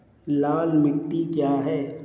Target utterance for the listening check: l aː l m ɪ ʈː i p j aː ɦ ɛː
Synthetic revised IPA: l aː l m ɪ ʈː i k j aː ɦ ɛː